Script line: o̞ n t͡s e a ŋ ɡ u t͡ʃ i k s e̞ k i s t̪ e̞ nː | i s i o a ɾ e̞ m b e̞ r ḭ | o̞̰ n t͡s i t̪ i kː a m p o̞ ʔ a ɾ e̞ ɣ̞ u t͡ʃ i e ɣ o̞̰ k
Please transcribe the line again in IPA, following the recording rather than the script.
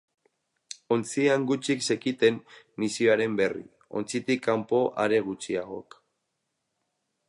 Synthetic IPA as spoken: o̞ n t͡s i a ŋ ɡ u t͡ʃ i k s e̞ k i t̪ e̞ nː | i s i o a ɾ e̞ m b e̞ r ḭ | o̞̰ n t͡s i t̪ i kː a m p o̞ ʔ a ɾ e̞ ɣ̞ u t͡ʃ i a ɣ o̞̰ k